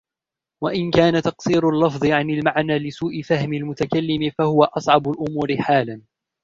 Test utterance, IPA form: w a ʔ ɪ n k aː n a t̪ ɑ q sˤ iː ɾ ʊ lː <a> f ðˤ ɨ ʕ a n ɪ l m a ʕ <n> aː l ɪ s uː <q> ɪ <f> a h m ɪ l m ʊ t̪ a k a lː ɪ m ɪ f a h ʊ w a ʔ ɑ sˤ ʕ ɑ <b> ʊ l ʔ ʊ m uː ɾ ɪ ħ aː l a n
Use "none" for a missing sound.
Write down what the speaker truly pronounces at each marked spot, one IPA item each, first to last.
ɑ, n, ʔ, f, b

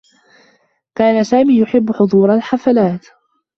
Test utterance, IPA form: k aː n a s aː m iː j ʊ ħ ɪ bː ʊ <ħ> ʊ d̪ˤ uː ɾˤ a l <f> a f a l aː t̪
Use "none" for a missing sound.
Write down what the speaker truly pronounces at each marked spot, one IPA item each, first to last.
ħ, ħ

